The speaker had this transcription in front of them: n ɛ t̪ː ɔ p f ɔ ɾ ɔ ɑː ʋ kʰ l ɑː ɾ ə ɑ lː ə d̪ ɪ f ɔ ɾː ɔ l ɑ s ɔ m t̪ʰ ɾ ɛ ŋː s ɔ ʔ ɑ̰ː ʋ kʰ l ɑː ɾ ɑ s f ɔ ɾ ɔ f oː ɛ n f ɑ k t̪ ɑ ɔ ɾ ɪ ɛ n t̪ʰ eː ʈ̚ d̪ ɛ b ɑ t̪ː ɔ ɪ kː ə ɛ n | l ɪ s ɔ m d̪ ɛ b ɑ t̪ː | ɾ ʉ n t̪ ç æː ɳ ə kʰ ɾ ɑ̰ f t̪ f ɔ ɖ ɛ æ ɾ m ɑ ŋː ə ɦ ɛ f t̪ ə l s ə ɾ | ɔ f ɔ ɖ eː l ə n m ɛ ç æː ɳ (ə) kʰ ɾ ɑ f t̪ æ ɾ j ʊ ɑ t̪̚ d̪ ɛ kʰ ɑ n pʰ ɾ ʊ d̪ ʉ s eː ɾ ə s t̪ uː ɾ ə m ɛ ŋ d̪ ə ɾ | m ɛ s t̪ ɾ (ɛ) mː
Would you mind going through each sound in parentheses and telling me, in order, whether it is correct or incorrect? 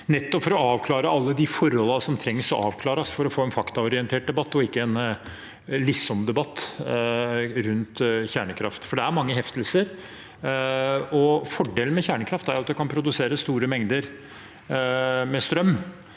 correct, incorrect: œ

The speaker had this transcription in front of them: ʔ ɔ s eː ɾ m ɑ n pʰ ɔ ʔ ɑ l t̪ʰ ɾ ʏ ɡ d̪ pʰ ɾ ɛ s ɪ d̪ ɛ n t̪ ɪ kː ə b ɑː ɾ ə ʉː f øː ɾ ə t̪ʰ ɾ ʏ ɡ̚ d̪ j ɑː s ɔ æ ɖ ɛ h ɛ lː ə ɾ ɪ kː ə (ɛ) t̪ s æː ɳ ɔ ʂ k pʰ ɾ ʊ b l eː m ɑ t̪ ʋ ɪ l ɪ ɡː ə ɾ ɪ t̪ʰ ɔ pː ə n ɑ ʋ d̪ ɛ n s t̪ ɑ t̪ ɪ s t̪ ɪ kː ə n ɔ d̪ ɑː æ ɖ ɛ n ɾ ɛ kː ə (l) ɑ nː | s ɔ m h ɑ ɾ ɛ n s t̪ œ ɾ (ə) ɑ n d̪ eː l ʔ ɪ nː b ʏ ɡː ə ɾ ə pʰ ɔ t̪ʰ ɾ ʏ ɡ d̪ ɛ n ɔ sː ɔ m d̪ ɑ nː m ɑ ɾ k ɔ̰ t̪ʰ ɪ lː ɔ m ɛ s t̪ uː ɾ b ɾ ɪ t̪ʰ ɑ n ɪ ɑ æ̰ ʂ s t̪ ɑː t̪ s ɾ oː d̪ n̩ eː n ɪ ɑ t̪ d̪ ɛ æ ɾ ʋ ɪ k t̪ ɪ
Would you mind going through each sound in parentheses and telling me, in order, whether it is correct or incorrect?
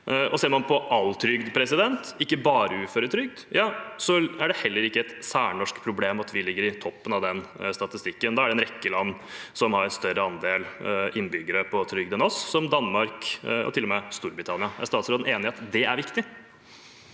correct, correct, correct

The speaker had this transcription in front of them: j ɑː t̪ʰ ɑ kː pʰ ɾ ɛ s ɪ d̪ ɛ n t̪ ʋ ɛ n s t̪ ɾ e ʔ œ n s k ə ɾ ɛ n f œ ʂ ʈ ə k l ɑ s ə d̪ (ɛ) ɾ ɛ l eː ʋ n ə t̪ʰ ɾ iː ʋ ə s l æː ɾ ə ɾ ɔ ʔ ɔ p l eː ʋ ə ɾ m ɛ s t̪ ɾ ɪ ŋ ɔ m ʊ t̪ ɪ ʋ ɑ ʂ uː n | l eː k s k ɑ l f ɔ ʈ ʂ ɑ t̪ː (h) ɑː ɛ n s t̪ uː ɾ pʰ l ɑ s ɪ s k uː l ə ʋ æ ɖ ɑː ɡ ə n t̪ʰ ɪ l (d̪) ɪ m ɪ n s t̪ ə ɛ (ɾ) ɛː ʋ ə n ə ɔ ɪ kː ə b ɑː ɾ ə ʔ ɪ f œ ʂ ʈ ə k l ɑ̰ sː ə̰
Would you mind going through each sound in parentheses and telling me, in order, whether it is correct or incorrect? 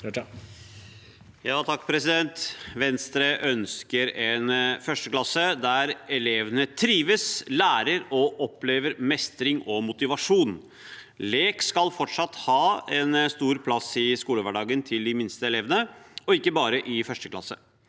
incorrect: æ, correct, correct, incorrect: l

